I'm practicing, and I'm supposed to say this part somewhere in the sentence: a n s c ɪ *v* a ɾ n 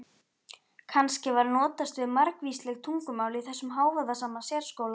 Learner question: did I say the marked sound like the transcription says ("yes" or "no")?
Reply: yes